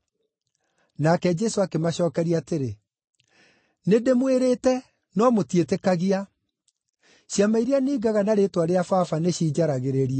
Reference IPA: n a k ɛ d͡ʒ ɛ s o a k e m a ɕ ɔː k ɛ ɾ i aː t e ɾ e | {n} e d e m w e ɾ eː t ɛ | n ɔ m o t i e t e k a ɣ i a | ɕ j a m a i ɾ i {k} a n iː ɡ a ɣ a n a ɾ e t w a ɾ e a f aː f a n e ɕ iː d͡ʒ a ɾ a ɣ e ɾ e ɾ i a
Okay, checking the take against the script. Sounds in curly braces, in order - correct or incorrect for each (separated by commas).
correct, incorrect